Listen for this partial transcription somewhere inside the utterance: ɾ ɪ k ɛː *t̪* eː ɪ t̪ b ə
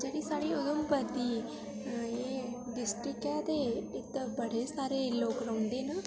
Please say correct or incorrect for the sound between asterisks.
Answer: correct